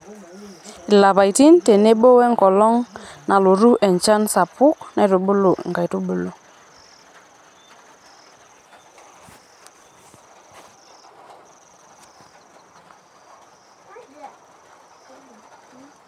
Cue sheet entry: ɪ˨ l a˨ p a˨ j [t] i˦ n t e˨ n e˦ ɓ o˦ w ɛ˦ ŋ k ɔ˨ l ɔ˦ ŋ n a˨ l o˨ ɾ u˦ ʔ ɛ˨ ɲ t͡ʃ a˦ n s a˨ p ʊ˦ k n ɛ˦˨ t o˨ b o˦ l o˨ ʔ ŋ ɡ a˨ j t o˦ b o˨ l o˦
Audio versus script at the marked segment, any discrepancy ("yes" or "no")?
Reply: no